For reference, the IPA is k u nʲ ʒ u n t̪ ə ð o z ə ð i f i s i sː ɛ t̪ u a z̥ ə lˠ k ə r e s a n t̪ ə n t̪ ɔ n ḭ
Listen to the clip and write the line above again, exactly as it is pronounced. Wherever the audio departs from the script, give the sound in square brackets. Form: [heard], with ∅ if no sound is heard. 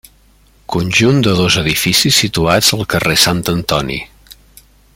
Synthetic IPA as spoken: k u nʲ ʒ u n [d̪] ə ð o z ə ð i f i s i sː [i] t̪ u a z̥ ə lˠ k ə r e s a n t̪ ə n t̪ ɔ n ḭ